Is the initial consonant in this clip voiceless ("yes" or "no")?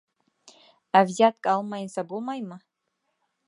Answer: no